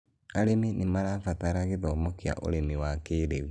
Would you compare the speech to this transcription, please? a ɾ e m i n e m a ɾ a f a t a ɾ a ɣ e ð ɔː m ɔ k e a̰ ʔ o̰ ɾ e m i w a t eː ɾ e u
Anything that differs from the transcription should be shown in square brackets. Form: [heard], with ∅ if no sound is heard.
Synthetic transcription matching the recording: a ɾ e m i n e m a ɾ a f a t a ɾ a ɣ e ð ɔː m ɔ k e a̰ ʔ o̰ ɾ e m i w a [k] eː ɾ e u